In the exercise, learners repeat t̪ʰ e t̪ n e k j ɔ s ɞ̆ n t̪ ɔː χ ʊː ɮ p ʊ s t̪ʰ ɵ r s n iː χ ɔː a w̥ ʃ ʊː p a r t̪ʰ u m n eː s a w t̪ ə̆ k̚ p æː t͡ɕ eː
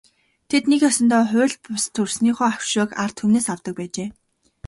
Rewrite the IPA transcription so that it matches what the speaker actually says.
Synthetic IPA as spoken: t̪ʰ e t̪ n e k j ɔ s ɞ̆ n t̪ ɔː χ ʊː ɮ p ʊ s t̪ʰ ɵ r s n iː χ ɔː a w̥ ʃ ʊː k a r t̪ʰ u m n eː s a w t̪ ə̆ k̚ p æː t͡ɕ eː